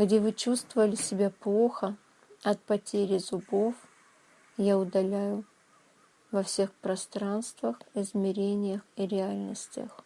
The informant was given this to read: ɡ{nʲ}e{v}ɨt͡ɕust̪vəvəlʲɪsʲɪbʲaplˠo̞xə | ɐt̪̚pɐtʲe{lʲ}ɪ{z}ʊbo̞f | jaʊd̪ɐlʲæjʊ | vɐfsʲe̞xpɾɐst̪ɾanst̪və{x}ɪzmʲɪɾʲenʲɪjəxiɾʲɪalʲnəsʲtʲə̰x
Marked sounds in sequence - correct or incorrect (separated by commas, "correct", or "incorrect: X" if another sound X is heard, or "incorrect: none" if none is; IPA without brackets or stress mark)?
incorrect: dʲ, correct, incorrect: ɾʲ, correct, correct